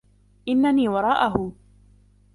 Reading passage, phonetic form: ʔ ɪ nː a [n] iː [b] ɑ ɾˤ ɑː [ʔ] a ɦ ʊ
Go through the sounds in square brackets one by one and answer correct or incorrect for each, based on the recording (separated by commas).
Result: correct, incorrect, correct